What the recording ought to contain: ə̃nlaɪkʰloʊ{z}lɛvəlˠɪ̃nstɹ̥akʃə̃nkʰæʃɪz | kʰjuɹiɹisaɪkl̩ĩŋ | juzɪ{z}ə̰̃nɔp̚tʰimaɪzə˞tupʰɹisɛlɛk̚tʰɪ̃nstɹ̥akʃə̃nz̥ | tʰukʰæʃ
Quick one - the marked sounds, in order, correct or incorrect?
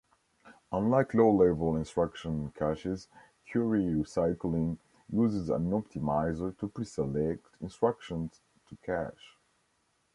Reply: incorrect: none, correct

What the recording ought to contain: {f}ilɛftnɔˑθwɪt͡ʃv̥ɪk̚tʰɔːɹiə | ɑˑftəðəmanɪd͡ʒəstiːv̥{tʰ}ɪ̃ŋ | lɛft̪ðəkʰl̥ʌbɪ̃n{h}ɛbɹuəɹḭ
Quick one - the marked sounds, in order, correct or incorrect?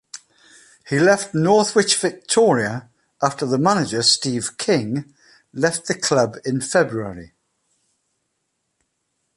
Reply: incorrect: h, incorrect: kʰ, incorrect: f

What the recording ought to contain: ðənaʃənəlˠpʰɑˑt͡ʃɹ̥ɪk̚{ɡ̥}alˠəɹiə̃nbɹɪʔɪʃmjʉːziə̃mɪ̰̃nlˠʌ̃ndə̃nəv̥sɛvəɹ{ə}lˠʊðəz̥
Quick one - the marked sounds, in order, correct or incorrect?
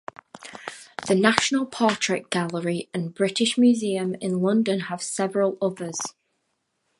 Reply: correct, correct

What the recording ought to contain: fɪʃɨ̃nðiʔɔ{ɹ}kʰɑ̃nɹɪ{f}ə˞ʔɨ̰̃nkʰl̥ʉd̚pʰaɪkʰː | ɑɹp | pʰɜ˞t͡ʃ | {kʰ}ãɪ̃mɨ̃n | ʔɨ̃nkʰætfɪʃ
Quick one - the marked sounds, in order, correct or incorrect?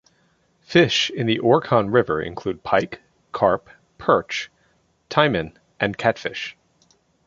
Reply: correct, incorrect: v, incorrect: tʰ

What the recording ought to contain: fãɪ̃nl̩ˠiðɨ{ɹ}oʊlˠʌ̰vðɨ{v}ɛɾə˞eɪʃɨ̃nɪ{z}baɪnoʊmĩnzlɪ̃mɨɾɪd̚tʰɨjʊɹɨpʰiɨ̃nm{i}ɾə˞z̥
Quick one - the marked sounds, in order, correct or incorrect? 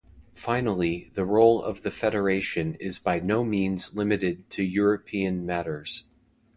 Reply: correct, incorrect: f, correct, incorrect: æ

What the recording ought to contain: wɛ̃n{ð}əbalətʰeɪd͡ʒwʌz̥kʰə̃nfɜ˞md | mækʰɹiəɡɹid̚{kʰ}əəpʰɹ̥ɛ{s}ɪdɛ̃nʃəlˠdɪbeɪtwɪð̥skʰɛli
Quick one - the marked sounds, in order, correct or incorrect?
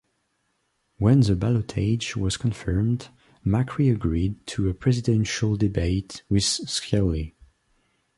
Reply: correct, incorrect: tʰ, incorrect: z

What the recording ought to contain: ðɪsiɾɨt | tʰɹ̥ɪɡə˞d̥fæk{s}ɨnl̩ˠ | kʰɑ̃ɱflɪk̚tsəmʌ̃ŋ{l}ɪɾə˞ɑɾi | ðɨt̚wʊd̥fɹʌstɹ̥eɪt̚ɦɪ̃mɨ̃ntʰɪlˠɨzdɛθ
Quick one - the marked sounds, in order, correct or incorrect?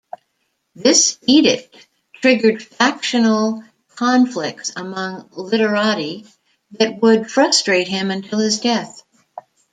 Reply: incorrect: ʃ, correct

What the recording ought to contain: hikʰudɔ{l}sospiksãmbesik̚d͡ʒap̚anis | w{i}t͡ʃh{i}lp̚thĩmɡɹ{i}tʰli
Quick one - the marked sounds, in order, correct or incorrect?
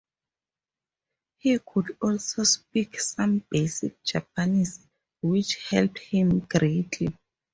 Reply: correct, correct, incorrect: ɛ, incorrect: e

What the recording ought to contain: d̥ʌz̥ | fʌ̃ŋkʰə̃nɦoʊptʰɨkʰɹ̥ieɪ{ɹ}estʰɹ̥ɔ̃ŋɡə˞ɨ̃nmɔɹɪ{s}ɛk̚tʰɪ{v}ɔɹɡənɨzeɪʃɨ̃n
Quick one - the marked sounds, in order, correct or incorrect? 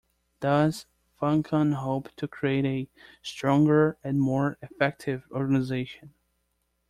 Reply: incorrect: ɾ, incorrect: f, correct

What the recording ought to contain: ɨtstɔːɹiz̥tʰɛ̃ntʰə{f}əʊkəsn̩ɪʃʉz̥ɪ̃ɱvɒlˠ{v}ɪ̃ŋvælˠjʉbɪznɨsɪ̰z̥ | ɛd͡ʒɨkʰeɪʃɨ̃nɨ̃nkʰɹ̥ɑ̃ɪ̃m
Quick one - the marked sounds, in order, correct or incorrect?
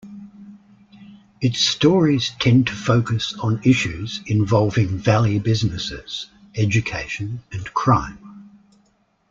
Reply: correct, correct

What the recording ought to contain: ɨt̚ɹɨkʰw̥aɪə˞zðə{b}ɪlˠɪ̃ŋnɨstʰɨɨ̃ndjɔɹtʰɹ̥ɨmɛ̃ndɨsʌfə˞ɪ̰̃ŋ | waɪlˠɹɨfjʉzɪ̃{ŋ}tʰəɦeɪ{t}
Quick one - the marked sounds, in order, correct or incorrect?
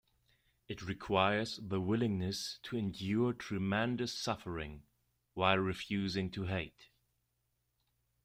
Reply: incorrect: w, correct, correct

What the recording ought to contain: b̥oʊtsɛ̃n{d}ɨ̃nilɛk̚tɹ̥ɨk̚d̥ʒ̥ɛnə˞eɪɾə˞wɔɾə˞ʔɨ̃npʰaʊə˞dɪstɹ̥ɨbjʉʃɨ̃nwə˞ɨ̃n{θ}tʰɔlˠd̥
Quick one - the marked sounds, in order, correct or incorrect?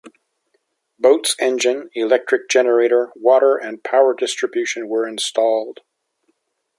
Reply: incorrect: d͡ʒ, incorrect: s

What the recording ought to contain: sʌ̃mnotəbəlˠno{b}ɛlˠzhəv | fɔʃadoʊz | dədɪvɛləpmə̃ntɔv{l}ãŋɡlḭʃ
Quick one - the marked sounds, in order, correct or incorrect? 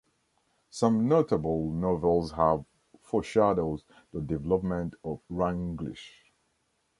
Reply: incorrect: v, incorrect: ɹ

